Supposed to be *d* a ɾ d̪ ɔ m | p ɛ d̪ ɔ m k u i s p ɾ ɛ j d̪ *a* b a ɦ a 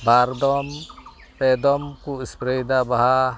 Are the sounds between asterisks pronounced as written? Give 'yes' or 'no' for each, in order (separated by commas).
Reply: no, yes